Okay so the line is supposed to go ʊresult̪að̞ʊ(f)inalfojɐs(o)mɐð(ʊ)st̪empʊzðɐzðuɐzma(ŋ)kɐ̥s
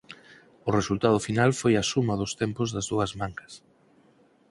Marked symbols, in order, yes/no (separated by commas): yes, no, yes, yes